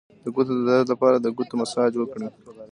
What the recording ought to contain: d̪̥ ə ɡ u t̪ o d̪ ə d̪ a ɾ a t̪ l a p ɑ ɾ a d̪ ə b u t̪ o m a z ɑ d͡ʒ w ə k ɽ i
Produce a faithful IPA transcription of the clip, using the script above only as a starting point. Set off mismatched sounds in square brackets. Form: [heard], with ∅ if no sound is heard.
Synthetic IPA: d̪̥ ə ɡ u t̪ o d̪ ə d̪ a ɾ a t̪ l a p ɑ ɾ a d̪ ə [ɡ] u t̪ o m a [s] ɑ d͡ʒ w ə k ɽ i

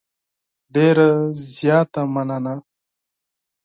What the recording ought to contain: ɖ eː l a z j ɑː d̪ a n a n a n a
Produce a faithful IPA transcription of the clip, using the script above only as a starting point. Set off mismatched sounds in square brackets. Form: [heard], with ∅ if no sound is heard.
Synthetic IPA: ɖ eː [ɾ] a z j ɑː [t̪] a [m] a n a n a

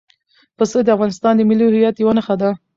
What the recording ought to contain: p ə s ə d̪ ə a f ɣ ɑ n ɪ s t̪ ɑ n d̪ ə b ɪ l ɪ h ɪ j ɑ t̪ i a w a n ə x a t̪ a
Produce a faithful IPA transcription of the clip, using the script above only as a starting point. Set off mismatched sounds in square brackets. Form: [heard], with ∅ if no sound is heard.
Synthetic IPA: p ə s ə d̪ ə a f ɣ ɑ n ɪ s t̪ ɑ n d̪ ə [m] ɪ l [i] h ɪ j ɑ t̪ [j] a w a n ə x a [d̪] a

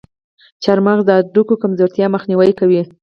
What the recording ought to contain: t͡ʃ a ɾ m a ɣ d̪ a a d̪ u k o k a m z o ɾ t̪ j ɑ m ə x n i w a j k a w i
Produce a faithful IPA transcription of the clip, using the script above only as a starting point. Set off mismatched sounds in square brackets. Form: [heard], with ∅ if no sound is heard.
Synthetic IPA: t͡ʃ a ɾ m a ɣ d̪ [ə] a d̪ u k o k a m z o ɾ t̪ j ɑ m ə x n i w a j k a w i

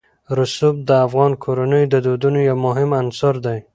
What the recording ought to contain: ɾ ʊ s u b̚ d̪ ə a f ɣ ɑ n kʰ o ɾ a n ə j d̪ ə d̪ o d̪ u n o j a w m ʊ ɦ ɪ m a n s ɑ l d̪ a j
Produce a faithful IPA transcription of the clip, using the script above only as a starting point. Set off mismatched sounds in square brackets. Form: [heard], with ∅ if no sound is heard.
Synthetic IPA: ɾ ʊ s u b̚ d̪ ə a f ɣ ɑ n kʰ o ɾ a n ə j d̪ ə d̪ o d̪ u n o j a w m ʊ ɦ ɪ m a n s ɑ [ɾ] d̪ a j

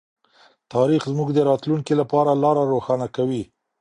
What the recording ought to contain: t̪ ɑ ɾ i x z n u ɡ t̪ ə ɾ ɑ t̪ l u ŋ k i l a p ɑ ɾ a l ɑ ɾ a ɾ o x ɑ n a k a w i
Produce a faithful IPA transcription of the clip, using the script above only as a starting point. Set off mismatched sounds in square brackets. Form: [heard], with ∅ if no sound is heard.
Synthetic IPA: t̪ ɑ ɾ i x z [m] u ɡ [d̪] ə ɾ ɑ t̪ l u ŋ k i l a p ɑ ɾ a l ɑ ɾ a ɾ o x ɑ n a k a w i

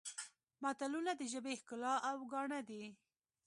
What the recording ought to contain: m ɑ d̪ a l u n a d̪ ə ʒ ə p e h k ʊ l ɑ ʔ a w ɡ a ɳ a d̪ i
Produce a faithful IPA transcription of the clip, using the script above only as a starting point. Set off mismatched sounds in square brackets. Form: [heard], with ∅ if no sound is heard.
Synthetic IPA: m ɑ [t̪] a l u n a d̪ ə ʒ ə [b] e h k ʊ l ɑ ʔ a w ɡ [ɑ] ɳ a d̪ i

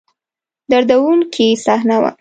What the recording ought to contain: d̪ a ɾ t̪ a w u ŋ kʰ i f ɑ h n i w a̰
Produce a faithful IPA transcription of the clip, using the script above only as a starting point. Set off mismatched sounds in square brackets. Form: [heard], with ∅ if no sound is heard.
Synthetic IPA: d̪ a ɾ [d̪] a w u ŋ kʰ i [s] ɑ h n [a] w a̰

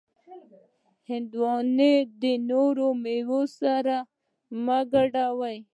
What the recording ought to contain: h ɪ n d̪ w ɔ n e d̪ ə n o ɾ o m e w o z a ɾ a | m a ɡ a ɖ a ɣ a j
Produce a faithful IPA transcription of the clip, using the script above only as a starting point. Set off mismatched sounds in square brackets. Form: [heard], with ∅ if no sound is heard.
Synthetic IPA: h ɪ n d̪ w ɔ n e d̪ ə n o ɾ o m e w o [s] a ɾ a | m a ɡ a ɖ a [w] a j

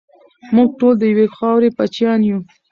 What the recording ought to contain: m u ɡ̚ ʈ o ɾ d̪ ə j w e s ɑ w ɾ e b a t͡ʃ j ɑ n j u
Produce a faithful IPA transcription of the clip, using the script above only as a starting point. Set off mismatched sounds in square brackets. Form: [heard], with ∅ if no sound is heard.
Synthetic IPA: m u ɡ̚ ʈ o [l] d̪ ə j w e [x] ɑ w ɾ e [p] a t͡ʃ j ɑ n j u

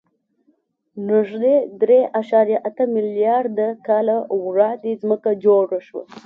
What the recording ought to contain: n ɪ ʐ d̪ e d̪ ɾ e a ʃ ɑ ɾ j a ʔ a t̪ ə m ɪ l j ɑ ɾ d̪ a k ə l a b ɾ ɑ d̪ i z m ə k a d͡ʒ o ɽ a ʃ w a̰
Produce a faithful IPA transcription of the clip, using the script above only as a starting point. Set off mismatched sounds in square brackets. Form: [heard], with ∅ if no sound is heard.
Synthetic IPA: n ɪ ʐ d̪ e d̪ ɾ e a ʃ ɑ ɾ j a ʔ a t̪ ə m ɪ l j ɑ ɾ d̪ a k [ɑ] l a [w] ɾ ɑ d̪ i z m ə k a d͡ʒ o ɽ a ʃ w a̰

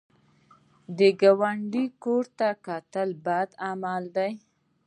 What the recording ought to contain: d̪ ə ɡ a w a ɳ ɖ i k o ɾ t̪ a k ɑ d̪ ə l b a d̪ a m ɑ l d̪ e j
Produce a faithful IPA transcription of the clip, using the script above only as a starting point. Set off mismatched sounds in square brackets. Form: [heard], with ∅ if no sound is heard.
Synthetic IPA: d̪ ə ɡ a w a ɳ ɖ i k o ɾ t̪ a k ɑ [t̪] ə l b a d̪ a m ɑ l d̪ [a] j

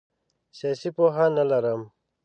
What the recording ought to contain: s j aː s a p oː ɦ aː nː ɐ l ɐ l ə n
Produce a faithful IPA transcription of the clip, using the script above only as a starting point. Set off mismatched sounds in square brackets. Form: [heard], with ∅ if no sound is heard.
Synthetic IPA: s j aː s [i] p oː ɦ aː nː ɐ l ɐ [ɾ] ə [m]

